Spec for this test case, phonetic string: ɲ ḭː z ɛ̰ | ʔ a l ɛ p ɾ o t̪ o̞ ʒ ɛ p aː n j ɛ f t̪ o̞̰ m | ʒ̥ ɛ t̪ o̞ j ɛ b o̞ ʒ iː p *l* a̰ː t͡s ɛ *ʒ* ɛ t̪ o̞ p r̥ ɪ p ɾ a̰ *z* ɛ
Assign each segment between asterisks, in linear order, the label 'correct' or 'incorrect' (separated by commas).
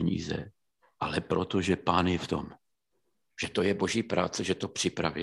incorrect, correct, incorrect